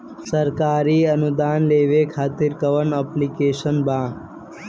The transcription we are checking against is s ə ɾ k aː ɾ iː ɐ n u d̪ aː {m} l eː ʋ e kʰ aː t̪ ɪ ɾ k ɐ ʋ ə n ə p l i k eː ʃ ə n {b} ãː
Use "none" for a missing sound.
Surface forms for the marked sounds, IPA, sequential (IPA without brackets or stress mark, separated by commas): n, b